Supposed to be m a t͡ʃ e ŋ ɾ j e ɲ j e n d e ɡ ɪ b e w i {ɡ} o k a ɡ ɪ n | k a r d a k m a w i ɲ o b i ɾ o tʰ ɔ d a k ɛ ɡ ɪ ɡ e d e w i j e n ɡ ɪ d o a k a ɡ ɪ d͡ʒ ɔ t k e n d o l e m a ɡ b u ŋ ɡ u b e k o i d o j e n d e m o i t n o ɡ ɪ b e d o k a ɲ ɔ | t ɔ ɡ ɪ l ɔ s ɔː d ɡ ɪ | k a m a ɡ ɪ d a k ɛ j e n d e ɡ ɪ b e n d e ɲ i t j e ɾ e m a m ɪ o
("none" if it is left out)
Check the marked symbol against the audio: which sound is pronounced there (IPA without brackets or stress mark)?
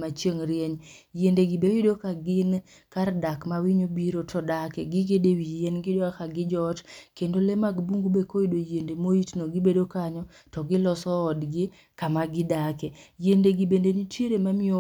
d